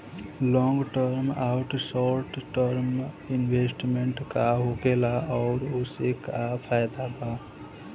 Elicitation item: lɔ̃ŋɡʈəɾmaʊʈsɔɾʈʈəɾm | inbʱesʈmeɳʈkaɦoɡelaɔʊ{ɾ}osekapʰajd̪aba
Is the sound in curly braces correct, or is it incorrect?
correct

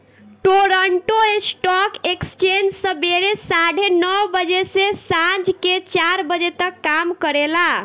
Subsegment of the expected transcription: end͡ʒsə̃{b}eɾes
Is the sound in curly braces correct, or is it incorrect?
correct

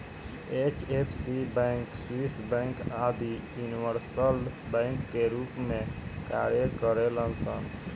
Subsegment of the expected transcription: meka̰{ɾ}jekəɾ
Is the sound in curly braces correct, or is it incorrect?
correct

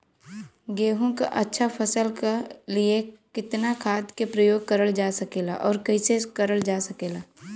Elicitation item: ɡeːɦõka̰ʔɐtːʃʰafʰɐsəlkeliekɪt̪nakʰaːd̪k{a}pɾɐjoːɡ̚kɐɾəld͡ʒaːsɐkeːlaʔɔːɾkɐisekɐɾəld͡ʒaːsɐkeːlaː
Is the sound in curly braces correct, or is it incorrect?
incorrect: e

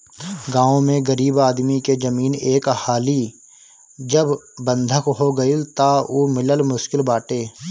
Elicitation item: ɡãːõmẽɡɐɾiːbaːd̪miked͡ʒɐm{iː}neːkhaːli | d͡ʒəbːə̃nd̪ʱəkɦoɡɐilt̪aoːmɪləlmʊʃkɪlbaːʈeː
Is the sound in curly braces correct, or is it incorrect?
correct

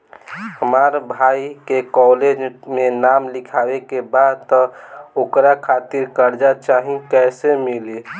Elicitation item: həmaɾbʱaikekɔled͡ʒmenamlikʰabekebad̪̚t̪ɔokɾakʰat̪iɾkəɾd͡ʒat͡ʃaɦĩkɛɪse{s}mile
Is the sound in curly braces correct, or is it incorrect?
incorrect: none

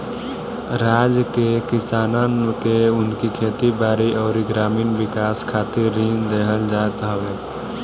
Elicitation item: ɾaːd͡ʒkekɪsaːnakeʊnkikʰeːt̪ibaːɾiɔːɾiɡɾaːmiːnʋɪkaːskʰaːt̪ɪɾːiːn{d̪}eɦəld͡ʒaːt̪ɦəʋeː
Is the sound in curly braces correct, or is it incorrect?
correct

